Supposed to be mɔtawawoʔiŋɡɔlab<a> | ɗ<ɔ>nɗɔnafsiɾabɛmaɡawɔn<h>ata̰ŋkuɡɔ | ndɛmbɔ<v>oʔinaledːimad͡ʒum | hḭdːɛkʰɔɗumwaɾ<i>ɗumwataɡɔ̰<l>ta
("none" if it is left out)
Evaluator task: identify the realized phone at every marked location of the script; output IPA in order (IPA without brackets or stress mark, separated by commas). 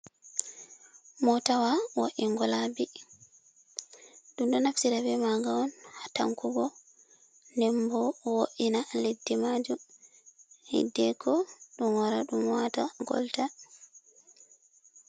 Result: i, u, h, w, a, l